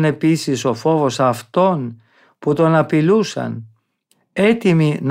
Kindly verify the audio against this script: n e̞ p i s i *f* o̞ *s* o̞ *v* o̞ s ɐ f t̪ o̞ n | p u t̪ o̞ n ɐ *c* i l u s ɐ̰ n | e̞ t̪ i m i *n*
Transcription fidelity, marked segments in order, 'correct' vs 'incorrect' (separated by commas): incorrect, incorrect, correct, incorrect, correct